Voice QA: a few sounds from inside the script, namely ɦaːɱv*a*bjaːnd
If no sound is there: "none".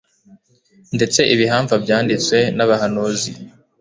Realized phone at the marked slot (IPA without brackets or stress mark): a